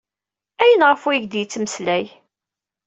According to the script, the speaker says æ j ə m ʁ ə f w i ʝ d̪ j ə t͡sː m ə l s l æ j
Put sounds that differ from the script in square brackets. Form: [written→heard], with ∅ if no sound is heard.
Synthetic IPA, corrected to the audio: æ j ə [m→n] ʁ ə f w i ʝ d̪ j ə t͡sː m ə [l→∅] s l æ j